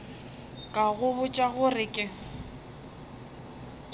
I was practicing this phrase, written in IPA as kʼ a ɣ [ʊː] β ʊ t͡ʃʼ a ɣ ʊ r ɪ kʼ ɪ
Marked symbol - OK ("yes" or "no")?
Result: no